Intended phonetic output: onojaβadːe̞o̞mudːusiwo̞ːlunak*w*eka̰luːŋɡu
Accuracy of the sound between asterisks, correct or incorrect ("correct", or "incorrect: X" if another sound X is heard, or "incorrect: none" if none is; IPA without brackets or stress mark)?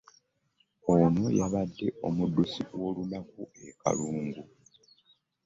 incorrect: u